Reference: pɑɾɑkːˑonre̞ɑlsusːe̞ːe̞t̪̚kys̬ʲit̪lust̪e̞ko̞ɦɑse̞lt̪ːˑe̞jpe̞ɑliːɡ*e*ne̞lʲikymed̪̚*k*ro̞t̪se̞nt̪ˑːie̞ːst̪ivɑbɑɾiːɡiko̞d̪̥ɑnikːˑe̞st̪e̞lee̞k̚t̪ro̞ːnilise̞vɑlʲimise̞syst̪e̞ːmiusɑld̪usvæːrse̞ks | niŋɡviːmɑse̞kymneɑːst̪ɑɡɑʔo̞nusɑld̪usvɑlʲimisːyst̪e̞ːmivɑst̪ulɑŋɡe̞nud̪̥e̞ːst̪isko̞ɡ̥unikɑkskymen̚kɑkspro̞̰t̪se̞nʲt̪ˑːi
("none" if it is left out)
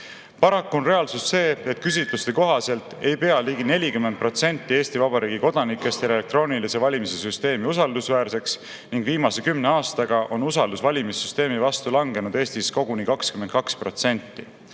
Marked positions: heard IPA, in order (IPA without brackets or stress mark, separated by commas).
i, p